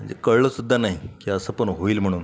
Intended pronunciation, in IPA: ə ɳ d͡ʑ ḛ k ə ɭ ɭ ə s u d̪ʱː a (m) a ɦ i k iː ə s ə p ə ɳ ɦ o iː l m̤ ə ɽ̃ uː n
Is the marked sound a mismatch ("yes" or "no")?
yes